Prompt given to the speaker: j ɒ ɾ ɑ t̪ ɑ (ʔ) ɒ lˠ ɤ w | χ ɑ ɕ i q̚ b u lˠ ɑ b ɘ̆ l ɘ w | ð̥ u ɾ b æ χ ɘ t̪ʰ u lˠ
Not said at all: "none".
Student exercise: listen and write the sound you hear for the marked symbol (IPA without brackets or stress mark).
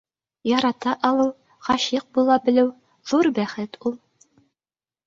ʔ